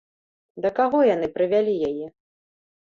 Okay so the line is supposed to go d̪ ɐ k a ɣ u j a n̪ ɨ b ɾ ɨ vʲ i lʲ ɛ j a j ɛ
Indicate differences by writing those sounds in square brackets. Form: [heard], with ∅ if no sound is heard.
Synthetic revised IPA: d̪ ɐ k a ɣ [ɔ] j a n̪ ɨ [p] ɾ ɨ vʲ [a] lʲ [i] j a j ɛ